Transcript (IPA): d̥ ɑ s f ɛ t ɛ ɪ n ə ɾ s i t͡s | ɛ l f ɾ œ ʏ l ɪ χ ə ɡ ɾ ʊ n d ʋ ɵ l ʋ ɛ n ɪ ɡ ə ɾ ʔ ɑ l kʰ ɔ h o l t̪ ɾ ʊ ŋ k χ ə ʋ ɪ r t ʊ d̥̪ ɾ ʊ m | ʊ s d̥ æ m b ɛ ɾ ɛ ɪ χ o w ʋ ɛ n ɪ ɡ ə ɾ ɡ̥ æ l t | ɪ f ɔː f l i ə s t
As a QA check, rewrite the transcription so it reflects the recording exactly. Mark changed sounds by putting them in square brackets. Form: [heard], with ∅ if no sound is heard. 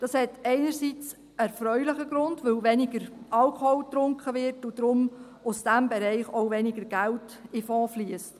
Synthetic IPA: d̥ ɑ s [h] ɛ t ɛ ɪ n ə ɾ s i t͡s | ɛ [ɾ] f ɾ œ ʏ l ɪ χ ə ɡ ɾ ʊ n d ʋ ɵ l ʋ ɛ n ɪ ɡ ə ɾ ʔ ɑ l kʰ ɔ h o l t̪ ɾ ʊ ŋ k χ ə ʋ ɪ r t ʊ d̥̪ ɾ ʊ m | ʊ s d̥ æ m b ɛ ɾ ɛ ɪ χ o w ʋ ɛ n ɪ ɡ ə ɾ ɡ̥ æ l t | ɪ f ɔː f l i ə s t

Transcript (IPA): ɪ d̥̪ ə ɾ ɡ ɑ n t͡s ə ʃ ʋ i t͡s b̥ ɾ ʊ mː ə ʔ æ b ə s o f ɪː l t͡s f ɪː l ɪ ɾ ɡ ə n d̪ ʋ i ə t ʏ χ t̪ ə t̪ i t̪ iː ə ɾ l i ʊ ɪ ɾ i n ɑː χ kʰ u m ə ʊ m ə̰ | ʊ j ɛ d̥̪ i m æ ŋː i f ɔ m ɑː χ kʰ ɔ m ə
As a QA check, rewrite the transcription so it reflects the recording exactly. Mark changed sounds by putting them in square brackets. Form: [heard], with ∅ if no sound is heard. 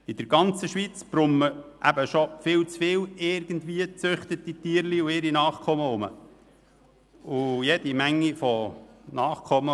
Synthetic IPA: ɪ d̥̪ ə ɾ ɡ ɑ n t͡s ə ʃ ʋ i t͡s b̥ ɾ ʊ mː ə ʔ æ b ə [ʃ] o f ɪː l t͡s f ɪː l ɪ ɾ ɡ ə n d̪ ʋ i ə [t͡s] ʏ χ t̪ ə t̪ i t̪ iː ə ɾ l i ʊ ɪ ɾ i n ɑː χ kʰ [ɔ] m ə ʊ m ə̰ | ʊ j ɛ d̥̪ i m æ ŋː i f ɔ [n] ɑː χ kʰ ɔ m ə

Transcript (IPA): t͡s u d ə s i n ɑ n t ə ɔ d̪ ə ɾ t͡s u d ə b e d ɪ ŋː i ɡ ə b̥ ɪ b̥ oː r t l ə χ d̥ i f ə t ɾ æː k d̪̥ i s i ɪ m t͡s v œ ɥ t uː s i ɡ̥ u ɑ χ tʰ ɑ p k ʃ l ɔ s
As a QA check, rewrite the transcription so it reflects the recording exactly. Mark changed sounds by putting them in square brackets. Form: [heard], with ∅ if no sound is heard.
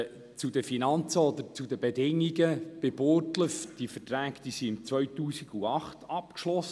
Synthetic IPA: t͡s u d ə [f] i n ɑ n [t͡s] ə ɔ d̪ ə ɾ t͡s u d ə b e d ɪ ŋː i ɡ ə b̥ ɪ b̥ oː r t l ə [f] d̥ i f ə t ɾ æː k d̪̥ i s i ɪ m t͡s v œ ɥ t uː s i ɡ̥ u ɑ χ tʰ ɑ p k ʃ l ɔ s

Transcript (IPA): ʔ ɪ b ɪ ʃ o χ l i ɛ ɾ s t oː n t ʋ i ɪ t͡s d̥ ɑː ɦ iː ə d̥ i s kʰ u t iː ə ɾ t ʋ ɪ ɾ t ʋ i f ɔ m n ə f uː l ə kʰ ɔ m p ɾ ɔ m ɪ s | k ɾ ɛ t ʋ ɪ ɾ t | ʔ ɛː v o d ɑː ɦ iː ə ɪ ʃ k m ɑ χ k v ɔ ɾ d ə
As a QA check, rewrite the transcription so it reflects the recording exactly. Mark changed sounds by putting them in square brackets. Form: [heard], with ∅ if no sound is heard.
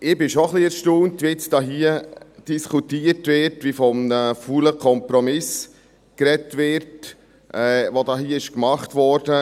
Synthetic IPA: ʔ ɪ b ɪ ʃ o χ l i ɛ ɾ [ʃ] t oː n t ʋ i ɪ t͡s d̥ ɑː ɦ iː ə d̥ i s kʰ u t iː ə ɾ t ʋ ɪ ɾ t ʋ i f ɔ m n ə f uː l ə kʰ ɔ m p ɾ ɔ m ɪ s | k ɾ ɛ t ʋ ɪ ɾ t | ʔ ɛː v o d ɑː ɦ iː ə ɪ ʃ k m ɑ χ [t] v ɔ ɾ d ə

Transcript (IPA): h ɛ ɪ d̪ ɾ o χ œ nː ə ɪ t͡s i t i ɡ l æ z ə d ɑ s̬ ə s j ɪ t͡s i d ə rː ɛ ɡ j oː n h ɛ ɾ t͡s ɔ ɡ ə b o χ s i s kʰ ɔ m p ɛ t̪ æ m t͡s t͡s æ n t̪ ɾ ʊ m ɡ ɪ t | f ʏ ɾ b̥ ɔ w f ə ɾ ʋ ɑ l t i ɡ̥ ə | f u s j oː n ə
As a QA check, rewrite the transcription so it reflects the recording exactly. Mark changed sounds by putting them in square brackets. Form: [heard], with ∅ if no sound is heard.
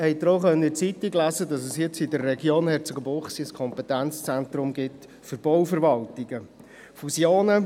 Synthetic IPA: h ɛ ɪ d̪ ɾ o χ œ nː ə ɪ t͡s i t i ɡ l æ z ə d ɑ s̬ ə s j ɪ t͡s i d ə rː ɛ ɡ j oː n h ɛ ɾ t͡s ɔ ɡ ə b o χ s i s kʰ ɔ m p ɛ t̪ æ [n] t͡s t͡s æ n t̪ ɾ ʊ m ɡ ɪ t | f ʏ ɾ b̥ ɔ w f ə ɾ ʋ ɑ l t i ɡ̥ ə | f u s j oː n ə

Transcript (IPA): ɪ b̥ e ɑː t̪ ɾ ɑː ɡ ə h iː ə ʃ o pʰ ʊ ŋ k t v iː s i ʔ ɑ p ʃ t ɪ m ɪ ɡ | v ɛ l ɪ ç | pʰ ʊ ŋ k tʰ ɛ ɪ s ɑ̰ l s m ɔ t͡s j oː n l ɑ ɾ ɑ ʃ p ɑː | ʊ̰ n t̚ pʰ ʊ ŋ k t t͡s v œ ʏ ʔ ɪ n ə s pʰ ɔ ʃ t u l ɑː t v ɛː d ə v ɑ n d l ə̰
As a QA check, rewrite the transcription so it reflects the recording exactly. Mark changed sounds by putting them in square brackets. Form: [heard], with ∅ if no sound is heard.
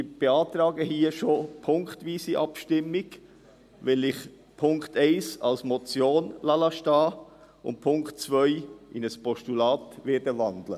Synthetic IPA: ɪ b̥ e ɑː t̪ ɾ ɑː ɡ ə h iː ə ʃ o pʰ ʊ ŋ k t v iː s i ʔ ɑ p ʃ t ɪ m ɪ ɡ | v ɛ l ɪ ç | pʰ ʊ ŋ k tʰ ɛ ɪ s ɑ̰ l s m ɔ t͡s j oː n l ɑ [l] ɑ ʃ [t] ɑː | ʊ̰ n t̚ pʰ ʊ ŋ k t t͡s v œ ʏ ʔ ɪ n ə s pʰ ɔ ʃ t u l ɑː t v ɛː d ə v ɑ n d l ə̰

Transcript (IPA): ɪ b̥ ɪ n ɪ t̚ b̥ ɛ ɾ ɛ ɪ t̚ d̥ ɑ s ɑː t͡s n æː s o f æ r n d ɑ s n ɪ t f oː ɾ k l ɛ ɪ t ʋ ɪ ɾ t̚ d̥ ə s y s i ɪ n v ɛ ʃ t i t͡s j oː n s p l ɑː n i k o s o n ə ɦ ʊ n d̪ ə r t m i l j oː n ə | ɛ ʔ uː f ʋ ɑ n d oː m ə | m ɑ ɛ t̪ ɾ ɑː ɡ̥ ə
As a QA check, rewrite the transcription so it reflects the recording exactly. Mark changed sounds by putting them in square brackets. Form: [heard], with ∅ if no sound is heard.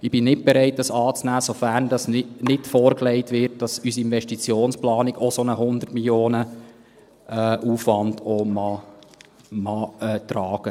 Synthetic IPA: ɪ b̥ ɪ n ɪ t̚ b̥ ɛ ɾ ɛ ɪ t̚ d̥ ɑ s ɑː t͡s n æː s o f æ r n d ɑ s n ɪ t f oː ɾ k l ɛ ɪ t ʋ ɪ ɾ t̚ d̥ [ɑ] s y s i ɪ n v ɛ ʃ t i t͡s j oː n s p l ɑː n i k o s o n ə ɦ ʊ n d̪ ə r t m i l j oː n ə | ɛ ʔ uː f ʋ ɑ n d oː m [ɑ] | m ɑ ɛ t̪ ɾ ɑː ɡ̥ ə

